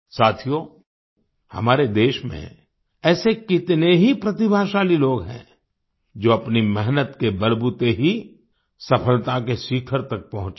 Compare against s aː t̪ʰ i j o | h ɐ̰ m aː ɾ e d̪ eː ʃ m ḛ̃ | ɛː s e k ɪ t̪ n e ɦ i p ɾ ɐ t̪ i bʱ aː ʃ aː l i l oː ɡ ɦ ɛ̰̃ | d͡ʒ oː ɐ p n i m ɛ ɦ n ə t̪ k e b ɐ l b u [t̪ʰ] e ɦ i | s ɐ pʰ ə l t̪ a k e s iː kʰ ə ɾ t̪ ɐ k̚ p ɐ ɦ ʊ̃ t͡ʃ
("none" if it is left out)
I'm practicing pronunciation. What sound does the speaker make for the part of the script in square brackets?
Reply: t̪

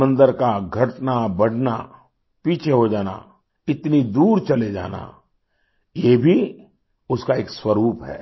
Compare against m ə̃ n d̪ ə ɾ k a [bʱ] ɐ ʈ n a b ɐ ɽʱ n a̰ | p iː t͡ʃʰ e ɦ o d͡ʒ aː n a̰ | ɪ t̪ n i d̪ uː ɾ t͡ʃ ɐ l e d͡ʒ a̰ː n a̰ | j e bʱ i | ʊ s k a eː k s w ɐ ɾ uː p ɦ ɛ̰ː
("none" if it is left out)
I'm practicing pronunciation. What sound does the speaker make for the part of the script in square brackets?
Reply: ɡʱ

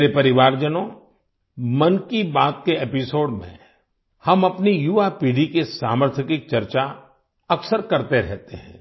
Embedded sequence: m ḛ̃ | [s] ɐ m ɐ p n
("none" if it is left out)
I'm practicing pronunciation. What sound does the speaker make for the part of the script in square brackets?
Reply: h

